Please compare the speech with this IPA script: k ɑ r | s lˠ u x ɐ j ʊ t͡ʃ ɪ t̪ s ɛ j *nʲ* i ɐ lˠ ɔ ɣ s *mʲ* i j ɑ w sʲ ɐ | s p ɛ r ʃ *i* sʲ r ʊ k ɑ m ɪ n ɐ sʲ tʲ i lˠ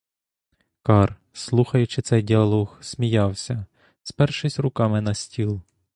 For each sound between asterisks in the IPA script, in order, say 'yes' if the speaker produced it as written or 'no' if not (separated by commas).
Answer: no, yes, no